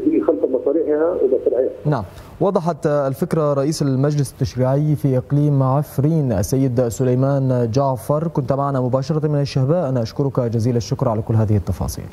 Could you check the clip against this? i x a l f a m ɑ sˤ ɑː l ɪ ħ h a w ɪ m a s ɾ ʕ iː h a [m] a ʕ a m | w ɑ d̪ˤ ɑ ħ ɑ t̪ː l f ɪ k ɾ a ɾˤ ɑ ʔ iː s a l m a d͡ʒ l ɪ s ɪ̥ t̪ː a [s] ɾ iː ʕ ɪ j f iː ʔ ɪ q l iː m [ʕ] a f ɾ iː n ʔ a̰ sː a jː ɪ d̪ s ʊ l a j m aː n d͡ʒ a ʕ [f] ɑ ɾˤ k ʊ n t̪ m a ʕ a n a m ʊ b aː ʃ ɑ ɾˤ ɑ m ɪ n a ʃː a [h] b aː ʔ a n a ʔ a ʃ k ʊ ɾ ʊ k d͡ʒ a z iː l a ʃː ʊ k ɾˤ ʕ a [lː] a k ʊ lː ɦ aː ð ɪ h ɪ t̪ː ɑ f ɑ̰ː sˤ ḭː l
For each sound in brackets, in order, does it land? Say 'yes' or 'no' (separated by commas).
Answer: no, no, yes, yes, yes, no